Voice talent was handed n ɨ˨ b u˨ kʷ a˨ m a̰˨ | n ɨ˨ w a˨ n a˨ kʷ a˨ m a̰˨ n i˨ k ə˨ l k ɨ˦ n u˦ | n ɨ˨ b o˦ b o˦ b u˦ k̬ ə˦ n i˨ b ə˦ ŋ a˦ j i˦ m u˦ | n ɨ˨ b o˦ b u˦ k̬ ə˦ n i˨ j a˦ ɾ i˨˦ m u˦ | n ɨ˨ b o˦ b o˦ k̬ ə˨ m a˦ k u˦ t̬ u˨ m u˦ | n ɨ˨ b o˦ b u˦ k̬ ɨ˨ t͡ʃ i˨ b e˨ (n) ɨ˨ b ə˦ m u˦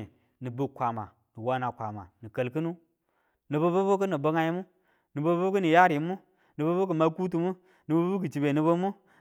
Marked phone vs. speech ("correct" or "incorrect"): correct